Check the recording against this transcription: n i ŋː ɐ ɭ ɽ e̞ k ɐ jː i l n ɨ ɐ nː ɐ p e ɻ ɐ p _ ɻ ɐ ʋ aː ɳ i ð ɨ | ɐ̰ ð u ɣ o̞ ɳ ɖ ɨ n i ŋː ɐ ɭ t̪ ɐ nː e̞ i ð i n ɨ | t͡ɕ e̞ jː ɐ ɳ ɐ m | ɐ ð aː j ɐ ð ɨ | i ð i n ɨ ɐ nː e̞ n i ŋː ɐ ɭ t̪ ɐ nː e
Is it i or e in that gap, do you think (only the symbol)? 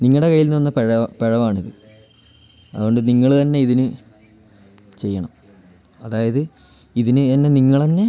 e